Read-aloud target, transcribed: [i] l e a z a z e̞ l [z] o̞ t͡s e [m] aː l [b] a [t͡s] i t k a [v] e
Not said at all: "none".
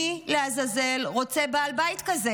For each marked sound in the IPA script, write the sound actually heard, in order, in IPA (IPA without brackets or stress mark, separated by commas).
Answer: i, ʁ, b, b, none, z